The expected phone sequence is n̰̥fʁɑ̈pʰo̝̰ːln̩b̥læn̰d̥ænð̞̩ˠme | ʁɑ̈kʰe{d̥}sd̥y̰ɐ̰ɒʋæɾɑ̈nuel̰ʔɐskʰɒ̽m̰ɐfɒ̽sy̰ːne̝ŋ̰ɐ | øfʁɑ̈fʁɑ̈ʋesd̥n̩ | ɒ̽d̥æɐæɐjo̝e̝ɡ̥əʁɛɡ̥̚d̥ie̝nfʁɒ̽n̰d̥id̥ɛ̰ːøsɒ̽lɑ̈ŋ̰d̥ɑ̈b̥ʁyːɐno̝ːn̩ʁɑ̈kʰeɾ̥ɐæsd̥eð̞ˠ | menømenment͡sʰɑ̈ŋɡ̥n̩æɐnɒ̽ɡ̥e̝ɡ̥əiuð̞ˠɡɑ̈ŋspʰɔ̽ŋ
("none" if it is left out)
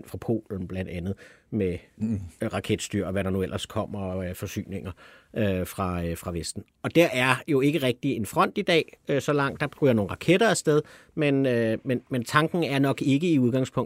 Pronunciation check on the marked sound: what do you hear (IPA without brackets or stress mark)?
d̥